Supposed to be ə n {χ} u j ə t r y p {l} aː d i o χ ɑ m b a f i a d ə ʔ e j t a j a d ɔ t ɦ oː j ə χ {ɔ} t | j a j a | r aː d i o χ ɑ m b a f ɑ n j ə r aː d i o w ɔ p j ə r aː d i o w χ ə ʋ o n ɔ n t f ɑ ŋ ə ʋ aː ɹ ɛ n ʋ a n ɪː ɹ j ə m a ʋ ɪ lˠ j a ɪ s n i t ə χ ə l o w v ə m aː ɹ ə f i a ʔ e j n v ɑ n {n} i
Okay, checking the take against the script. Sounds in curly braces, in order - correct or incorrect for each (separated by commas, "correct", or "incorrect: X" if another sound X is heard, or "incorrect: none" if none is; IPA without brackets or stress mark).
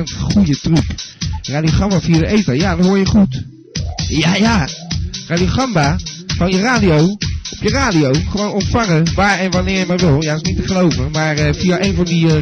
correct, incorrect: r, incorrect: u, incorrect: d